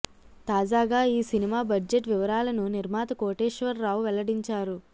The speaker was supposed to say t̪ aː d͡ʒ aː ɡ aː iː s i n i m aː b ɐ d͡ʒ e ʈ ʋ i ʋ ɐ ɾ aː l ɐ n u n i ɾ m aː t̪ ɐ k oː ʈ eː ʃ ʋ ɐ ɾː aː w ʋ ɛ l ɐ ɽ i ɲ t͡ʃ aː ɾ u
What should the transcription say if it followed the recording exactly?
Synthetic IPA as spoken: t̪ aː d͡ʒ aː ɡ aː iː s i n i m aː b ɐ d͡ʒ e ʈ ʋ i ʋ ɐ ɾ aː l ɐ n u n i ɾ m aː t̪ ɐ k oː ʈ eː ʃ ʋ ɐ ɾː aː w ʋ ɛ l ɐ ɽ i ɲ t͡ʃ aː ɾ u